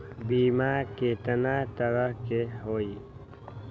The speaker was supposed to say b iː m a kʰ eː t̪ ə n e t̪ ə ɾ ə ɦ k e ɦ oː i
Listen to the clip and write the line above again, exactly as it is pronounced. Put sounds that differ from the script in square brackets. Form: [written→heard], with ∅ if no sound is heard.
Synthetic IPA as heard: b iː m a [kʰ→k] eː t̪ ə n [e→a] t̪ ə ɾ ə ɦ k e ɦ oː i